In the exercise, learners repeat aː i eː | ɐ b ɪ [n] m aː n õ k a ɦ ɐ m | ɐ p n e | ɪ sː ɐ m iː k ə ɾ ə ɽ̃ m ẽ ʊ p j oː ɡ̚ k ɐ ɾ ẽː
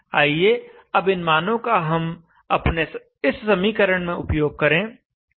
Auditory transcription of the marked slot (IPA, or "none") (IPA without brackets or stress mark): n